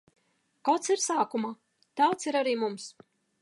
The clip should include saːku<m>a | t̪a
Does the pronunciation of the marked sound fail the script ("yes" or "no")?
no